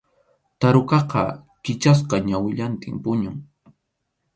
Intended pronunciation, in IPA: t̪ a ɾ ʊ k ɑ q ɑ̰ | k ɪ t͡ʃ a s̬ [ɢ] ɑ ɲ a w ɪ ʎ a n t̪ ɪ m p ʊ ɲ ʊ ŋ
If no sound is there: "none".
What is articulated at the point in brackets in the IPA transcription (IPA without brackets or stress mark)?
q